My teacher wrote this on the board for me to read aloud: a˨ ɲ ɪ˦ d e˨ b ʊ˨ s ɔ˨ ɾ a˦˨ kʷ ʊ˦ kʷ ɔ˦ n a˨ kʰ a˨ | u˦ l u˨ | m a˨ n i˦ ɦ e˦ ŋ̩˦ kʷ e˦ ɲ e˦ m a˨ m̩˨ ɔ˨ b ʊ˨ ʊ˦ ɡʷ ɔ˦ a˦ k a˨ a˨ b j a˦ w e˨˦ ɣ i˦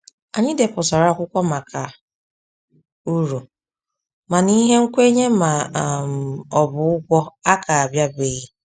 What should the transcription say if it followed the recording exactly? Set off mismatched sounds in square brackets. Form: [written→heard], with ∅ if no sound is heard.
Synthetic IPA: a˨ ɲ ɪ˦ d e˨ [b→p] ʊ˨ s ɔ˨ ɾ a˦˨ kʷ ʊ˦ kʷ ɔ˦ [n→m] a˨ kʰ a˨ | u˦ [l→ɾ] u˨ | m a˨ n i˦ ɦ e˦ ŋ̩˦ kʷ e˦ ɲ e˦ m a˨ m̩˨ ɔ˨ b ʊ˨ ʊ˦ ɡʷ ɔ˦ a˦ k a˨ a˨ b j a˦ [w→b] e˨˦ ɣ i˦